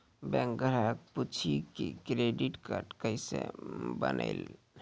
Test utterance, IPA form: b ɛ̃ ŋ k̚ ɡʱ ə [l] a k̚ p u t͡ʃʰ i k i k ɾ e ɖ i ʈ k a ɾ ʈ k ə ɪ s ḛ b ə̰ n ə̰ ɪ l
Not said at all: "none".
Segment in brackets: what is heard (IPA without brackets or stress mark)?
ɾ